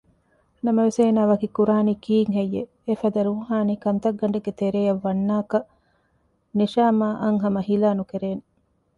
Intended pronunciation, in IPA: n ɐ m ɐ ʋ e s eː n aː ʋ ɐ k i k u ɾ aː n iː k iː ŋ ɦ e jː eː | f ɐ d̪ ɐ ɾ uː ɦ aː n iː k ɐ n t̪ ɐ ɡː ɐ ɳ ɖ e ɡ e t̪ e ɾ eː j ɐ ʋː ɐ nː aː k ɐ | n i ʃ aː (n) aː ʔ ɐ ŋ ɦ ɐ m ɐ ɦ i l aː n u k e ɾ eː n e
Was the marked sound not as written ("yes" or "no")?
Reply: yes